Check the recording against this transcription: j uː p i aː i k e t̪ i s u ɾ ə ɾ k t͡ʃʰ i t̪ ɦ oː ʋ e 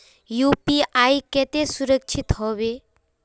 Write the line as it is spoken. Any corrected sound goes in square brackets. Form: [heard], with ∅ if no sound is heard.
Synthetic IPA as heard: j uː p i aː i k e t̪ [e] s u ɾ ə [∅] k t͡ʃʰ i t̪ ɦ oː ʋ e